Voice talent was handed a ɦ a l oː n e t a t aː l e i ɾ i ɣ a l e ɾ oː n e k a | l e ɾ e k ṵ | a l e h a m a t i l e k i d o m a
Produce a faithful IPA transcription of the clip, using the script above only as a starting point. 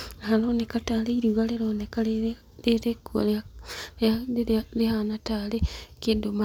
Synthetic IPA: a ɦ a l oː n e k a t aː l e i ɾ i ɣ a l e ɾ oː n e k a | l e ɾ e k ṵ | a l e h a n a t a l e k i d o m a